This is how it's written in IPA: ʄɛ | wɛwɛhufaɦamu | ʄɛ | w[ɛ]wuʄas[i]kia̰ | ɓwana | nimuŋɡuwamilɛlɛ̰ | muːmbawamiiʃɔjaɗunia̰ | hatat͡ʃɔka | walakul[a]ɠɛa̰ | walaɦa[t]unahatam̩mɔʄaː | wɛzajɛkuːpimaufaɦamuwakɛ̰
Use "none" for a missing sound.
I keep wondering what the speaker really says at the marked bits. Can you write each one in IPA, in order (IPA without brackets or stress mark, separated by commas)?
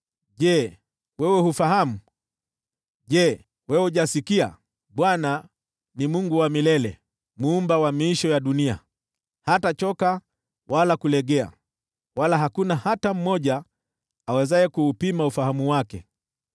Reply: ɛ, i, ɛ, k